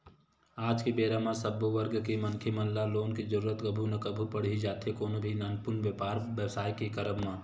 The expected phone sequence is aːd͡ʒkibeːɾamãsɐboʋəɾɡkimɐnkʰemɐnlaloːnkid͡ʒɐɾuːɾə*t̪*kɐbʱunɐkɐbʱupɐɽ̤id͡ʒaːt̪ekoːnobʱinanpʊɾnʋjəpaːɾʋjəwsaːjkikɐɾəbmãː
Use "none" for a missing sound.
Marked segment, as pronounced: t̪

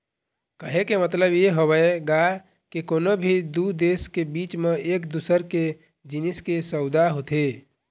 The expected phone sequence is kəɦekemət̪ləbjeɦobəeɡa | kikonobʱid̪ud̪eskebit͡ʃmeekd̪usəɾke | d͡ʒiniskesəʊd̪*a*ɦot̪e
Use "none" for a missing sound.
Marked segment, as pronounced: a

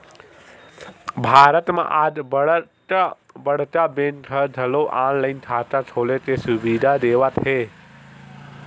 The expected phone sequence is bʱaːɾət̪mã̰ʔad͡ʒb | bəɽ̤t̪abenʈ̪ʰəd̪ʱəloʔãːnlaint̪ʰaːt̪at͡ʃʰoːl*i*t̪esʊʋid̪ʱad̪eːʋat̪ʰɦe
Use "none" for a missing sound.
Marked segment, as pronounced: e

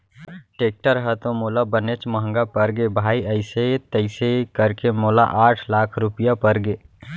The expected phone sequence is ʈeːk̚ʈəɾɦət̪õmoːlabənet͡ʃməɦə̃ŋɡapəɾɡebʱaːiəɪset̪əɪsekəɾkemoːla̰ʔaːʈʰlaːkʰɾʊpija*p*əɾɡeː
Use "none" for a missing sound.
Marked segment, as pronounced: p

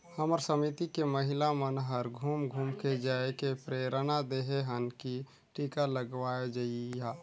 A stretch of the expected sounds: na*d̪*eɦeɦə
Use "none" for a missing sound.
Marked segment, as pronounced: d̪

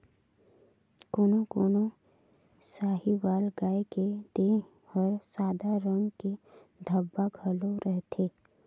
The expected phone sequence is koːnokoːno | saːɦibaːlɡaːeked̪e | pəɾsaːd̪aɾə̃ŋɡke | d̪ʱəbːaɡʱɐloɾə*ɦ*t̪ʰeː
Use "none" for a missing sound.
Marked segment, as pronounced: ɦ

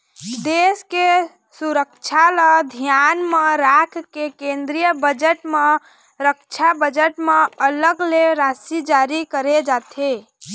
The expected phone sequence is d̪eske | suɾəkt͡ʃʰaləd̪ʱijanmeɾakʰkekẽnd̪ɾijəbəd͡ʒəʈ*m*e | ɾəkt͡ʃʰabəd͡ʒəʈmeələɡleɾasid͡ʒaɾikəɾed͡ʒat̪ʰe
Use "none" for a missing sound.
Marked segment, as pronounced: m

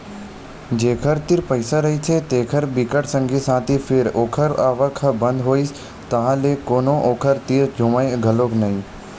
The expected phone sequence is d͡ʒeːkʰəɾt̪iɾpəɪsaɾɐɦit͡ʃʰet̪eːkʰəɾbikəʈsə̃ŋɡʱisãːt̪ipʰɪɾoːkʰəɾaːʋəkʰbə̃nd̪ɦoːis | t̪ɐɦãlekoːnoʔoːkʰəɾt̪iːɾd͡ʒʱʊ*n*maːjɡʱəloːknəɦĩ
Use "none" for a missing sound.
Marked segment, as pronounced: none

